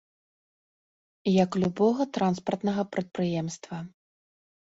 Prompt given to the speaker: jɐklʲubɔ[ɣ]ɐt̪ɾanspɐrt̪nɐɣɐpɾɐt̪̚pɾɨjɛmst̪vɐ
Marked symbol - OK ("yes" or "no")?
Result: yes